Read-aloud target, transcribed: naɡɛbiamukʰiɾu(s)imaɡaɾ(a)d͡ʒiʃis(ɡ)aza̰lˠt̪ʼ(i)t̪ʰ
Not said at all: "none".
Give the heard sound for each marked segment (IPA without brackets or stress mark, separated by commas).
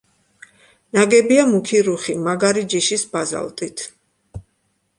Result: χ, i, b, i